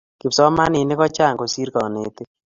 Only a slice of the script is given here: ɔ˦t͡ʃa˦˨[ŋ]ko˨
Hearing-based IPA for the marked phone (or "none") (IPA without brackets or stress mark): ŋ